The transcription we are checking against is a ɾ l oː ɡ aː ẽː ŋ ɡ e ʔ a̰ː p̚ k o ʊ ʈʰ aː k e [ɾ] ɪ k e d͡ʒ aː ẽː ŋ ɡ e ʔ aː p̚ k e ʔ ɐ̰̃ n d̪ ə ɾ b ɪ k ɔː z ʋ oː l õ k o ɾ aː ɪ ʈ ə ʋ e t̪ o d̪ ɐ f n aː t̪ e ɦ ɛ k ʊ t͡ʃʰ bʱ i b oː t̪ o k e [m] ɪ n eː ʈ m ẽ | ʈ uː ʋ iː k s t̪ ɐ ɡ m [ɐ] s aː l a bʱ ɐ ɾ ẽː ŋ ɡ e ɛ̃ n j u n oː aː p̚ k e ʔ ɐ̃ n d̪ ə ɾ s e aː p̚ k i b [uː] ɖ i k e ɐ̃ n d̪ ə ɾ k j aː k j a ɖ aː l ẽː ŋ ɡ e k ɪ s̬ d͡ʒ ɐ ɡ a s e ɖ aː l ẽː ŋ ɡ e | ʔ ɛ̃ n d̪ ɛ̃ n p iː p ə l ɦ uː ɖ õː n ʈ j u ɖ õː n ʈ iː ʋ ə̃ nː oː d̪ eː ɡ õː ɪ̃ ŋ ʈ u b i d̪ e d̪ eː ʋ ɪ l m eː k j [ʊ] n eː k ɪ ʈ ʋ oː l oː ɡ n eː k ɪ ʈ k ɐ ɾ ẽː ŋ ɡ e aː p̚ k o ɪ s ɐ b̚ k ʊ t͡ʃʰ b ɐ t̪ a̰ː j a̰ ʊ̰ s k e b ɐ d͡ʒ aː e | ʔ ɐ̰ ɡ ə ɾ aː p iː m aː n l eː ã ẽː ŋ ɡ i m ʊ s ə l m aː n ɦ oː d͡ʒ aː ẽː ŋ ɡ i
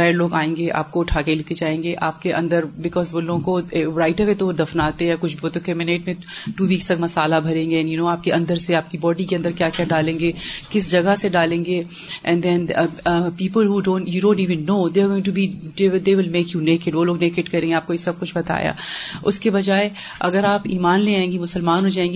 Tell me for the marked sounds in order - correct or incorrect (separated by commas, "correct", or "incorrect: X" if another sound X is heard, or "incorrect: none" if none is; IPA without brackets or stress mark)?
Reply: incorrect: l, correct, correct, incorrect: ɔː, incorrect: u